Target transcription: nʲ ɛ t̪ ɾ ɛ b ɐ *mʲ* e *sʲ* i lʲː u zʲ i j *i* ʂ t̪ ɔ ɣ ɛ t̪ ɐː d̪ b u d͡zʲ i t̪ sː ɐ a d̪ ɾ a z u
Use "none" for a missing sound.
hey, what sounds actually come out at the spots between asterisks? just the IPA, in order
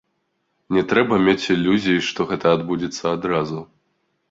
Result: mʲ, t͡sʲ, i

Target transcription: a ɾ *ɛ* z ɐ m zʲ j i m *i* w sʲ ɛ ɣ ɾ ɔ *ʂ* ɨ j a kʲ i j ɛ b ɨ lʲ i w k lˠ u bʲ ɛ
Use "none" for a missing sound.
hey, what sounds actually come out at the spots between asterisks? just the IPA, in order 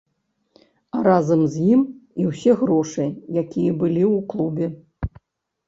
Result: a, i, ʂ

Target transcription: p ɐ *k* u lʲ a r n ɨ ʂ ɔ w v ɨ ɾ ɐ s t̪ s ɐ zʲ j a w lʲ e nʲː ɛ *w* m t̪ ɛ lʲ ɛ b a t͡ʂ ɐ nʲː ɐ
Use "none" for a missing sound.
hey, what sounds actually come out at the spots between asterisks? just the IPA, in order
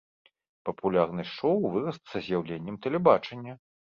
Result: p, none

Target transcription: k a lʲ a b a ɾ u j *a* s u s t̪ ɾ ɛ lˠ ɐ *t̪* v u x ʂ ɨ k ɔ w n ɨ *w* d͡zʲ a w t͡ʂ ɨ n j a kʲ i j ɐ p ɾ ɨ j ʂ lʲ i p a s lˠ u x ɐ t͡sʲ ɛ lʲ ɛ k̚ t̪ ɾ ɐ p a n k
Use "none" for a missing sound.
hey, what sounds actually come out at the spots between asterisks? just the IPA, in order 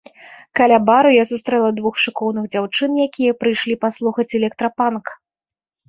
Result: a, d̪, ɣ

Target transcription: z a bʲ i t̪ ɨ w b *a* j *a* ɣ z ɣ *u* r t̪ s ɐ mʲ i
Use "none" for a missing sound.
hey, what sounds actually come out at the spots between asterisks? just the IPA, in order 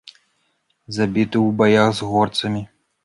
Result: a, a, ɔ

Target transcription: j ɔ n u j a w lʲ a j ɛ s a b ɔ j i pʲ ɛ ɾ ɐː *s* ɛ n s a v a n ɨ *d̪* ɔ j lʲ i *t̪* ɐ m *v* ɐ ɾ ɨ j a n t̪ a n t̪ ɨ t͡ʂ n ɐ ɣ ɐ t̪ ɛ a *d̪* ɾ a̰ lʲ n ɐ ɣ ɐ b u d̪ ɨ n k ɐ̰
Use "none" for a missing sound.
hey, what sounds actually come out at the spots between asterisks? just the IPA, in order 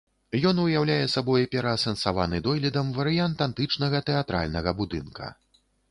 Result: s, d̪, d̪, v, t̪

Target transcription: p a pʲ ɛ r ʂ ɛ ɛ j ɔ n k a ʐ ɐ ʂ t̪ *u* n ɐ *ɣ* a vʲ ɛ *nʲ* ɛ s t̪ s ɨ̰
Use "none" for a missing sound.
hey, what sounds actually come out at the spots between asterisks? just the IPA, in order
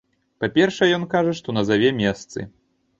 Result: ɔ, z, mʲ

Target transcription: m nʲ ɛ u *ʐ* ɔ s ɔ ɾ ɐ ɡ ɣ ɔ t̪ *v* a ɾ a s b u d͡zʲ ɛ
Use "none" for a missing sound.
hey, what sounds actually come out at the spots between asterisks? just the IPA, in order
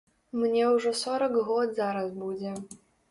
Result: ʐ, z

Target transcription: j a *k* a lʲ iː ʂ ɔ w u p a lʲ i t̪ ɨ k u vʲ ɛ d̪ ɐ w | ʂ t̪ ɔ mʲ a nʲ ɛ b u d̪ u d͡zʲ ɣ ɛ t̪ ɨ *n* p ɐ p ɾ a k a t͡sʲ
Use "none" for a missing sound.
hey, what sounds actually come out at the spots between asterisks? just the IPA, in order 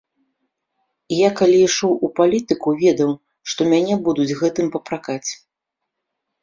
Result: k, m

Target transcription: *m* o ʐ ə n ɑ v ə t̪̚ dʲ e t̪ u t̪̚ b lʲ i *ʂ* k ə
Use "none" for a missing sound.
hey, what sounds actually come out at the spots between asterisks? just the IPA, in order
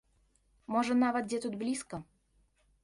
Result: m, s

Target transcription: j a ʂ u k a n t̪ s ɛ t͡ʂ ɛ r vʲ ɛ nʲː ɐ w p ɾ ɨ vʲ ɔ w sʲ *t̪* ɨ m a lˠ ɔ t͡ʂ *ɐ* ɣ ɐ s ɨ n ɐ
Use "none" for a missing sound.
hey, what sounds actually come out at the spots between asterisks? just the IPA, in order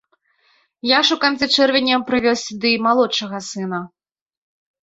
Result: d̪, ɐ

